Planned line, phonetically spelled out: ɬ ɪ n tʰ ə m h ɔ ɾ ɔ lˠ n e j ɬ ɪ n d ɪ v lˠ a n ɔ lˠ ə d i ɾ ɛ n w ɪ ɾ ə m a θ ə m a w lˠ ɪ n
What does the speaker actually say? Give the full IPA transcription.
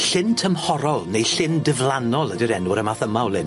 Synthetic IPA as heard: ɬ ɪ n tʰ ə m h ɔ ɾ ɔ lˠ n e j ɬ ɪ n d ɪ v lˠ a n ɔ lˠ ə d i ɾ ɛ n w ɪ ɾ ə m a θ ə m a w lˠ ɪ n